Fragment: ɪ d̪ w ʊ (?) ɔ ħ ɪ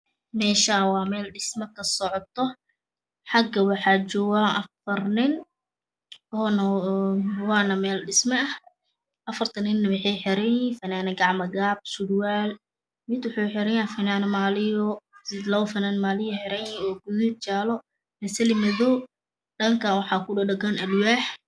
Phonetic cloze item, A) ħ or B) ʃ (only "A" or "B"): A